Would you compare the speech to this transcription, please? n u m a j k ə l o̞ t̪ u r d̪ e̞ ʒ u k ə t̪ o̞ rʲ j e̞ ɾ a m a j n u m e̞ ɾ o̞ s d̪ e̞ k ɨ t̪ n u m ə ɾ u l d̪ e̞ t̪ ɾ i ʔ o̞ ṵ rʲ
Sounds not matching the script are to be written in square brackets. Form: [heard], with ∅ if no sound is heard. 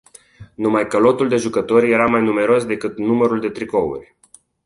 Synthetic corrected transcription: n u m a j k ə l o̞ t̪ u [l] d̪ e̞ ʒ u k ə t̪ o̞ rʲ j e̞ ɾ a m a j n u m e̞ ɾ o̞ s d̪ e̞ k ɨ t̪ n u m ə ɾ u l d̪ e̞ t̪ ɾ i [k] o̞ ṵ rʲ